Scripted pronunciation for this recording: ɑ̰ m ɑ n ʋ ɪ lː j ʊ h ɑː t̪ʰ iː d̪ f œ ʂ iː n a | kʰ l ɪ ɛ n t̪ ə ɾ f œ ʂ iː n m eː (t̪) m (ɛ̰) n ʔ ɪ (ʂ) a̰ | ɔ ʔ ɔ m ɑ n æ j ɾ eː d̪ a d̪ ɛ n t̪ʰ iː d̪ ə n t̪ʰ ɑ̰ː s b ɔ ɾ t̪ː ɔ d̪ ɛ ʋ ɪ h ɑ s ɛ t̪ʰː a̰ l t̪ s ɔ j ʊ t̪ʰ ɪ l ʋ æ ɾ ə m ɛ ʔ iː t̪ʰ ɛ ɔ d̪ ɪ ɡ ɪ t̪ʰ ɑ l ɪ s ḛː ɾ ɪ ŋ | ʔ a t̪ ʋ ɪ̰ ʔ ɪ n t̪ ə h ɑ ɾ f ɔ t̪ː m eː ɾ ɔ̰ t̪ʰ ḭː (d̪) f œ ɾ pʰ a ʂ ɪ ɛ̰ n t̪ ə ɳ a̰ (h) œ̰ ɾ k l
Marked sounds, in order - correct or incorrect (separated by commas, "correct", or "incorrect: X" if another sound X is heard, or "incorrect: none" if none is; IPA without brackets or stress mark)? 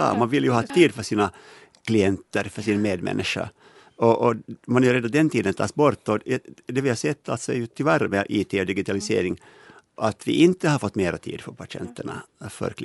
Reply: incorrect: d̪, correct, correct, correct, incorrect: f